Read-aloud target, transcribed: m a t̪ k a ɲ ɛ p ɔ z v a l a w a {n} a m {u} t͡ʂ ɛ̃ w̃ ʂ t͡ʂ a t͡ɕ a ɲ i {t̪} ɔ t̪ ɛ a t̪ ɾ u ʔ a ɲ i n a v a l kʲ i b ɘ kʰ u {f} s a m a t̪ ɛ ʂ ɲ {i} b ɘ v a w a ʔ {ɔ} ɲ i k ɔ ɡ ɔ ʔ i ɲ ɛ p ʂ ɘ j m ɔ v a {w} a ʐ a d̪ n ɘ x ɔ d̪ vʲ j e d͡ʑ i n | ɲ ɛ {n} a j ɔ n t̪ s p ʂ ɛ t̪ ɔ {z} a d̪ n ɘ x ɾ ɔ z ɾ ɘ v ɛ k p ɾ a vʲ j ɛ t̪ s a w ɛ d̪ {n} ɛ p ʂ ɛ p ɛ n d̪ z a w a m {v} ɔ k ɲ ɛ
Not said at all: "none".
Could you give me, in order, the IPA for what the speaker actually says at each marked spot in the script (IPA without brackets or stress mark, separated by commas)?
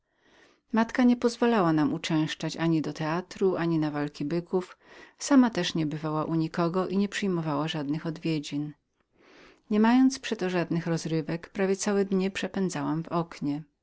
n, u, d̪, f, ɛ, u, w, m, ʐ, ɲ, v